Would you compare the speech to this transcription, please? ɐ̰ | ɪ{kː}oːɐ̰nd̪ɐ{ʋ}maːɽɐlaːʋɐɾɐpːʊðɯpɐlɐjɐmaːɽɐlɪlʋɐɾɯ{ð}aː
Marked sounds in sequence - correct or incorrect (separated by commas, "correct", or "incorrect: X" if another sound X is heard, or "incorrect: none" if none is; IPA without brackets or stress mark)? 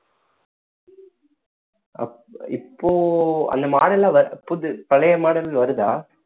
incorrect: pː, incorrect: none, correct